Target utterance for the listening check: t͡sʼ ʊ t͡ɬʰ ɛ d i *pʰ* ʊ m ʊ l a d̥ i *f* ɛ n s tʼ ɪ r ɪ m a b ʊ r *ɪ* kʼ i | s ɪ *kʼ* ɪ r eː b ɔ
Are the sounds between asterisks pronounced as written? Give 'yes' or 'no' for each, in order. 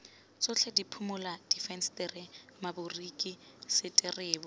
yes, yes, no, no

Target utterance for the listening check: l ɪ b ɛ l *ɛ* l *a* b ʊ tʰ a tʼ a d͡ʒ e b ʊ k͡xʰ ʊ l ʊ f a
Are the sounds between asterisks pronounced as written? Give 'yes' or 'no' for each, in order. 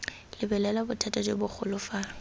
yes, yes

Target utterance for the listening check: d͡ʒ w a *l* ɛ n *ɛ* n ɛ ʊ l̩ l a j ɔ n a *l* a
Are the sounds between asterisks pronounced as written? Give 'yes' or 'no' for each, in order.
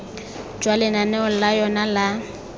yes, no, yes

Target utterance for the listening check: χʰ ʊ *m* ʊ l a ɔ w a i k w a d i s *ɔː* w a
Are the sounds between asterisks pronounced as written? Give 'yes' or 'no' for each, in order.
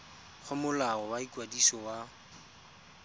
yes, no

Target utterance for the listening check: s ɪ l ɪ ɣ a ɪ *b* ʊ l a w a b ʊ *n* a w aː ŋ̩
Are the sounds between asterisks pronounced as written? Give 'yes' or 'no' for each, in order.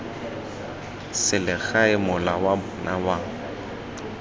no, yes

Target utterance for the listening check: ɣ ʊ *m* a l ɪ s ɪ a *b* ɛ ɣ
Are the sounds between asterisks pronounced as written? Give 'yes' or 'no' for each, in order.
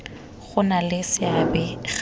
no, yes

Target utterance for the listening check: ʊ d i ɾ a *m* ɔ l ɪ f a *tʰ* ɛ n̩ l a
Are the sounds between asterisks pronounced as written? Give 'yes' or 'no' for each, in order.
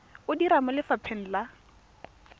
yes, no

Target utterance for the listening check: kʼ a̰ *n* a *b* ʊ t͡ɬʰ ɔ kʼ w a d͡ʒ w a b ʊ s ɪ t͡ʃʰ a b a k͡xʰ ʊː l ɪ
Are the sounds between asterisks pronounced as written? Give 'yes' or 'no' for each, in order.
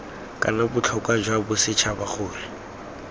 yes, yes

